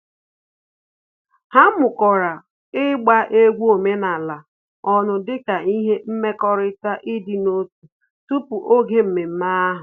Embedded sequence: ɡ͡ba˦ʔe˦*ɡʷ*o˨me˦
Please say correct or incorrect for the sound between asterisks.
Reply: correct